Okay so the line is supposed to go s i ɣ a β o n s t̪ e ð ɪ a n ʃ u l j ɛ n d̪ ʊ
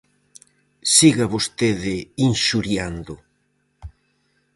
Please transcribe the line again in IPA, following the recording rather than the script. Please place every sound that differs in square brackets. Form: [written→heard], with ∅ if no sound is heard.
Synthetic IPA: s i ɣ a β o [n→∅] s t̪ e ð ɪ [a→i] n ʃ u [l→ɾ] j [ɛ→a] n d̪ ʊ